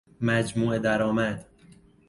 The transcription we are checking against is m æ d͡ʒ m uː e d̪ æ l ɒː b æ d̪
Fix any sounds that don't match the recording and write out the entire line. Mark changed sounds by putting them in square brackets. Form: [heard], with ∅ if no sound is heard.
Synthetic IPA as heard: m æ d͡ʒ m uː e d̪ æ [ɾ] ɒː [m] æ d̪